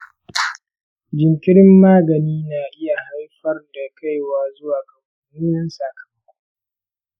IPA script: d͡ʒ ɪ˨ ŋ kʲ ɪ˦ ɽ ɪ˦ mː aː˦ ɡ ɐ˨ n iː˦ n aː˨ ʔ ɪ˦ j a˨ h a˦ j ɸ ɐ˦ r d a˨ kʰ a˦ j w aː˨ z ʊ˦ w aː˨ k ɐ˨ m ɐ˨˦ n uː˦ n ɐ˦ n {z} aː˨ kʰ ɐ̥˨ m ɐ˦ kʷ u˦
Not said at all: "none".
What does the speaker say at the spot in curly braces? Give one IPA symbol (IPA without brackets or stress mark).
s